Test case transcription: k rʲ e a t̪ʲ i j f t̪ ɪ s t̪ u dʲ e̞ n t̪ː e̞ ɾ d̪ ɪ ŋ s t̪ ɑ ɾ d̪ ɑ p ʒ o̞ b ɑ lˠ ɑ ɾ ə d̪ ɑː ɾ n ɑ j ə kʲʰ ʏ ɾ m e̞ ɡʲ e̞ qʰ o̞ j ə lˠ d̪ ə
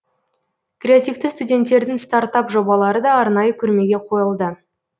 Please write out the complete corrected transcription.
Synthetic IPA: k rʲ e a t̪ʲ i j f t̪ ɪ s t̪ u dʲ e̞ n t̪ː e̞ ɾ d̪ ɪ ŋ s t̪ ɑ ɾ t̪ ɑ p ʒ o̞ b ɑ lˠ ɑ ɾ ə d̪ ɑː ɾ n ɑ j ə kʲʰ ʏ ɾ m e̞ ɡʲ e̞ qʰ o̞ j ə lˠ d̪ ə

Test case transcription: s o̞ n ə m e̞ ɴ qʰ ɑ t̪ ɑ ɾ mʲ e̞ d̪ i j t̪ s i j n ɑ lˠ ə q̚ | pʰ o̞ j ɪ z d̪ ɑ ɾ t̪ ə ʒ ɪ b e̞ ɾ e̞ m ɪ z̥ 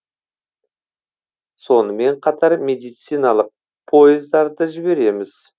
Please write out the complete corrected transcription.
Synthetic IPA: s o̞ n ə m e̞ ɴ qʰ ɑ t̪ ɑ ɾ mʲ e̞ d̪ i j t̪ s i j n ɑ lˠ ə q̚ | pʰ o̞ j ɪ z d̪ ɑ ɾ d̪ ə ʒ ɪ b e̞ ɾ e̞ m ɪ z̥

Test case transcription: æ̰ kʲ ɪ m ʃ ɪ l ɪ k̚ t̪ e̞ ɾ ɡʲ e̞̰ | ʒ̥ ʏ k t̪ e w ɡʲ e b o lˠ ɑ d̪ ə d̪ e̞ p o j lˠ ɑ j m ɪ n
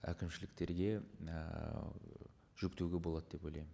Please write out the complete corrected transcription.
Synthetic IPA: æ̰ kʲ ɪ m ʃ ɪ l ɪ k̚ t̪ e̞ ɾ ɡʲ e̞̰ | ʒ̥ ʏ k t̪ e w ɡʲ e b o lˠ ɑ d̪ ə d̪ e̞ p o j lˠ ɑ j m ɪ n

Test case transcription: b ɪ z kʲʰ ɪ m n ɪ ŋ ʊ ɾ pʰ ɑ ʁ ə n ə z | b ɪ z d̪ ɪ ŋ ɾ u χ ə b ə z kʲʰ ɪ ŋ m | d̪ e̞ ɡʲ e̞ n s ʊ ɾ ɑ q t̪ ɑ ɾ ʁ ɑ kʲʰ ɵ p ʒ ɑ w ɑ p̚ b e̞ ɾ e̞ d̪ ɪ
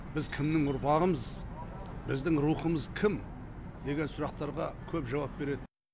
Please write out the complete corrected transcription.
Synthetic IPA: b ɪ z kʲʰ ɪ m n ɪ ŋ ʊ ɾ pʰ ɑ ʁ ə m ə z | b ɪ z d̪ ɪ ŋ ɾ u χ ə m ə z kʲʰ ɪ m | d̪ e̞ ɡʲ e̞ n s ʊ ɾ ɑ q t̪ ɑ ɾ ʁ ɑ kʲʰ ɵ p ʒ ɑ w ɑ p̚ b e̞ ɾ e̞ d̪ ɪ

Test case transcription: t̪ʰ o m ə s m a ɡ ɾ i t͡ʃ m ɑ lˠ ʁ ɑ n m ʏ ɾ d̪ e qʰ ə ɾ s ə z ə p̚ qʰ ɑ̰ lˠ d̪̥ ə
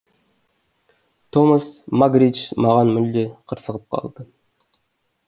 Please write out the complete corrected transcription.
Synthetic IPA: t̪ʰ o m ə s m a ɡ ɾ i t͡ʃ m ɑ ʁ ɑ n m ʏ l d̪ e qʰ ə ɾ s ə ʁ ə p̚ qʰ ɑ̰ lˠ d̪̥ ə

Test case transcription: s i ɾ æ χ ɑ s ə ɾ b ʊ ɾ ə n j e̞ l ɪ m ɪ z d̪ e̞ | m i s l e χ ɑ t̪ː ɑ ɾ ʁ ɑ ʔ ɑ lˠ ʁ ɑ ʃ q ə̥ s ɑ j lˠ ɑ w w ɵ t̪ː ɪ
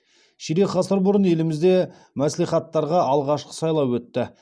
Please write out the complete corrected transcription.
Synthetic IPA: ʃ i ɾ e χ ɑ s ə ɾ b ʊ ɾ ə n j e̞ l ɪ m ɪ z d̪ e̞ | m æ s l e χ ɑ t̪ː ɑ ɾ ʁ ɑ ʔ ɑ lˠ ʁ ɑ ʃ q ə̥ s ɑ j lˠ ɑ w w ɵ t̪ː ɪ

